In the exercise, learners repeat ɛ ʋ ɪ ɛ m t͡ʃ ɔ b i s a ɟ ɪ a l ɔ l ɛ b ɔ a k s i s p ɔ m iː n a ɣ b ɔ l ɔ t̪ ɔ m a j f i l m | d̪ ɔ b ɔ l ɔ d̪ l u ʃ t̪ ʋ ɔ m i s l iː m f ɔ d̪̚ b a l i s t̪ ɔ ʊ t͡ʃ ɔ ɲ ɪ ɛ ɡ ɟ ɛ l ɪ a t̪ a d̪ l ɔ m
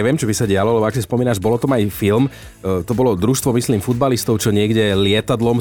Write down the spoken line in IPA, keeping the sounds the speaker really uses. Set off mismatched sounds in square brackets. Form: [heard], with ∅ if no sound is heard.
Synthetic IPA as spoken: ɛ ʋ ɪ ɛ m t͡ʃ ɔ b i s a ɟ ɪ a l ɔ l ɛ b ɔ a k s i s p ɔ m iː n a [ʒ] b ɔ l ɔ t̪ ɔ m a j f i l m | [t̪] ɔ b ɔ l ɔ d̪ [ɾ] u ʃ t̪ ʋ ɔ m i s l iː m f [u] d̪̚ b a l i s t̪ ɔ ʊ t͡ʃ ɔ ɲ ɪ ɛ ɡ ɟ ɛ l ɪ [ɛ] t̪ a d̪ l ɔ m